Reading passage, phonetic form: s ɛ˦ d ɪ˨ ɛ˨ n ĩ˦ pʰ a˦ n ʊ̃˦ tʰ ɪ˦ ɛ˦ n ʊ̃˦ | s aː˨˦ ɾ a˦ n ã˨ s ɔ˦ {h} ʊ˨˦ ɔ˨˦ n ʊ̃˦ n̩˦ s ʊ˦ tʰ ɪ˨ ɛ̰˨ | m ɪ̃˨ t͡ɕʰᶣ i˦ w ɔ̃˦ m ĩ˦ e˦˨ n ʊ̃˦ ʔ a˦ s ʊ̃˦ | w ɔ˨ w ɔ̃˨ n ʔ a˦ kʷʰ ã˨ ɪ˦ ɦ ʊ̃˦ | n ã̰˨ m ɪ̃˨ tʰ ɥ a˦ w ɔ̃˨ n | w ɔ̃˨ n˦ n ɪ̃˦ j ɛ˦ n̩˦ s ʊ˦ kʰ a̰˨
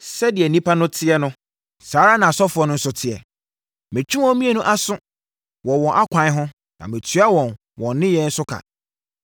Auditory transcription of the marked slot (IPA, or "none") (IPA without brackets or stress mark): f